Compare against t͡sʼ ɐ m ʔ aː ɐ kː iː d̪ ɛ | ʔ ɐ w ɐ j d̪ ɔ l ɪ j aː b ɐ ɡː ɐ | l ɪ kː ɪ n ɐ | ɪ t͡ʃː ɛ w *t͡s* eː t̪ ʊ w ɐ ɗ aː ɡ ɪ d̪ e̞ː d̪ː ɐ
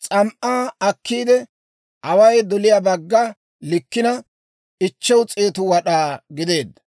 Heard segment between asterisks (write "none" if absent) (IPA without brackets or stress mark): t͡sʼ